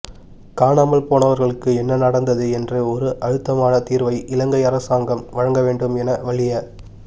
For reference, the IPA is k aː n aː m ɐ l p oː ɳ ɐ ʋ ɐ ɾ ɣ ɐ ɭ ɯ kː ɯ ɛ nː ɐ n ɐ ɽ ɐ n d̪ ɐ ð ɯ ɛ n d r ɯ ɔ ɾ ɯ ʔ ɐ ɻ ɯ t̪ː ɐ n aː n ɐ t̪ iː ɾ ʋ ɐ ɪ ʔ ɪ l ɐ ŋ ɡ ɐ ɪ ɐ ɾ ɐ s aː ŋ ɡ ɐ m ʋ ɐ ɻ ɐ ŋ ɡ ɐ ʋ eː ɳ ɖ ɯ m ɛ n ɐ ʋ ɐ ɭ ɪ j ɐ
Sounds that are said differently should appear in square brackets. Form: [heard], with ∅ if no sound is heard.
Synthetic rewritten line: k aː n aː m ɐ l p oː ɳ ɐ ʋ ɐ ɾ ɣ ɐ ɭ ɯ kː ɯ ɛ nː ɐ n ɐ ɽ ɐ n d̪ ɐ ð ɯ ɛ n d r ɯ ɔ ɾ ɯ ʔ ɐ ɻ ɯ t̪ː ɐ [m] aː n ɐ t̪ iː ɾ ʋ ɐ ɪ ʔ ɪ l ɐ ŋ ɡ ɐ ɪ ɐ ɾ ɐ s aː ŋ ɡ ɐ m ʋ ɐ ɻ ɐ ŋ ɡ ɐ ʋ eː ɳ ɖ ɯ m ɛ n ɐ ʋ ɐ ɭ ɪ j ɐ